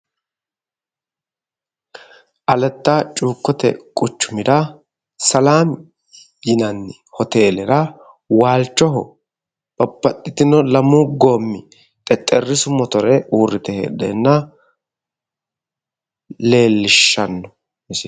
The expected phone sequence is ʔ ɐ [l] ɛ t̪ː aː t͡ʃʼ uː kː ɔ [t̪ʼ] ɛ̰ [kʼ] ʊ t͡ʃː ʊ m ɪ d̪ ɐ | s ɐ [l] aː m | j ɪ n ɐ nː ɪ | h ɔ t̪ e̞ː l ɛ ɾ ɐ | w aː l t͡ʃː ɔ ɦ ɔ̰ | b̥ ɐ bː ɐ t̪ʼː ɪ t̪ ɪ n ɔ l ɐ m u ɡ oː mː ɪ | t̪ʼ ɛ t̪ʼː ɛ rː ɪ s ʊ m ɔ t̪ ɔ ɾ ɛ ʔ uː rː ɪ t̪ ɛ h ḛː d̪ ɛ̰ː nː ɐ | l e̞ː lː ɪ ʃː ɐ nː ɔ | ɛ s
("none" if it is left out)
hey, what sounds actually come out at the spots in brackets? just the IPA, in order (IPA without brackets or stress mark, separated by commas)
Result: l, t̪, kʼ, l